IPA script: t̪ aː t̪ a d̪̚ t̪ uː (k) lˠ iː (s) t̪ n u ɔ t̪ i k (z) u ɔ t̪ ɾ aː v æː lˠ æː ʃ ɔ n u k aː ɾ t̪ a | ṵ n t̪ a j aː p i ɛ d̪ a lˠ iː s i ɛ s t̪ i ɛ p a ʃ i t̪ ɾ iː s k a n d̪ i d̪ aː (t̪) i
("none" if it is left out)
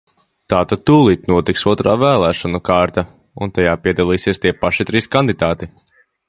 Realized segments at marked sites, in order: none, none, s, t̪

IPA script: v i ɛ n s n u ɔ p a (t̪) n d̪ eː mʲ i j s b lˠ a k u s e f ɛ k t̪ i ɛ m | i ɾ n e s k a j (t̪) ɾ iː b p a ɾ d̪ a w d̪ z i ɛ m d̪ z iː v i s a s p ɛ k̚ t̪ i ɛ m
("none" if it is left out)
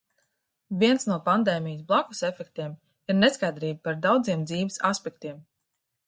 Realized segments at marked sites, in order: none, d̪

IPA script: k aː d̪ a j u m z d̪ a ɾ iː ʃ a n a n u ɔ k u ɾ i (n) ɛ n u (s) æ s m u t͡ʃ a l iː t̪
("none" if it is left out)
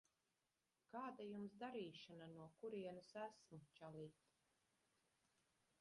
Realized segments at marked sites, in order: none, s

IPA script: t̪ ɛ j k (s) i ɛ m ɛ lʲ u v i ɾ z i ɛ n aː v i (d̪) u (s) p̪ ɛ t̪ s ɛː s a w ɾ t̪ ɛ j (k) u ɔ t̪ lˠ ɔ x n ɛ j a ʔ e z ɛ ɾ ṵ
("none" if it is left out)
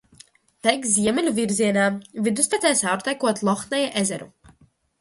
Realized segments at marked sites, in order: z, d̪, s, k

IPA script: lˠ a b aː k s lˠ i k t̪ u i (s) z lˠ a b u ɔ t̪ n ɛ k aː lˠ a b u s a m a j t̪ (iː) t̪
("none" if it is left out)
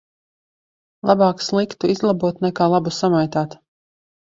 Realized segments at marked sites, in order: none, aː

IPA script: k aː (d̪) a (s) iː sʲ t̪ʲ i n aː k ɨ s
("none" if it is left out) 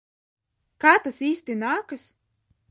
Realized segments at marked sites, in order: t̪, s

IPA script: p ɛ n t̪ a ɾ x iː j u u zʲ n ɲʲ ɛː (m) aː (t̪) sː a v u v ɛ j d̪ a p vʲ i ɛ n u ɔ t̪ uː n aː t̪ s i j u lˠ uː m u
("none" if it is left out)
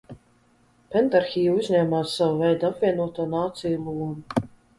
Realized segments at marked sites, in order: m, none

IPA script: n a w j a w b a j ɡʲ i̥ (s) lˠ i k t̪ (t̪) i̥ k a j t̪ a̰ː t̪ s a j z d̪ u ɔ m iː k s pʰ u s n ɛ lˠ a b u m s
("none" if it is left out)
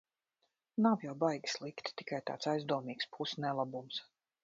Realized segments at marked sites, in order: s, t̪

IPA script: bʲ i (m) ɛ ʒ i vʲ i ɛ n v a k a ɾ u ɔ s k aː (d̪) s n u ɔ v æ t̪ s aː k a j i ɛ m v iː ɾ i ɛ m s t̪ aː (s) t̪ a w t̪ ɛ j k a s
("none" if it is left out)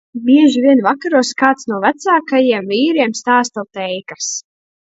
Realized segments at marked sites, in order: none, t̪, s

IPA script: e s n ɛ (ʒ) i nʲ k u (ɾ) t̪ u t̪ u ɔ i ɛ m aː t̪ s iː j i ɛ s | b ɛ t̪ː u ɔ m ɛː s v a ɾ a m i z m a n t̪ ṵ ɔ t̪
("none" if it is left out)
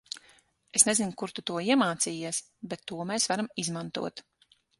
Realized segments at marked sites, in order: z, ɾ

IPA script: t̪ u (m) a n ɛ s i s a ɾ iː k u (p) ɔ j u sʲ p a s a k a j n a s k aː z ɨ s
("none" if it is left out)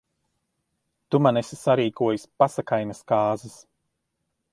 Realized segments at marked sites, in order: m, none

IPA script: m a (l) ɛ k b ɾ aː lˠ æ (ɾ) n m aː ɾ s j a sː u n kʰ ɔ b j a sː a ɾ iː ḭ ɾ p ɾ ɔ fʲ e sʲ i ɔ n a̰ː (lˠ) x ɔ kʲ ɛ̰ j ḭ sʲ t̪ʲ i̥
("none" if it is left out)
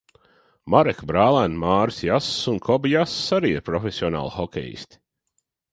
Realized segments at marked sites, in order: ɾ, none, lˠ

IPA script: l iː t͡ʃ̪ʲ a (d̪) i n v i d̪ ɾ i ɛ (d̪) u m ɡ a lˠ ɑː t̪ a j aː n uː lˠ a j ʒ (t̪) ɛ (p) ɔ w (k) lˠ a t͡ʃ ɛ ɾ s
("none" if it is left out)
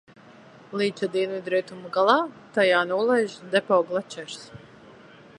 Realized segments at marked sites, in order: d̪, t̪, d̪, p, ɡ

